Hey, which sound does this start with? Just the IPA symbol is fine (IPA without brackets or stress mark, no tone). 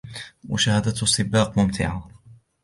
w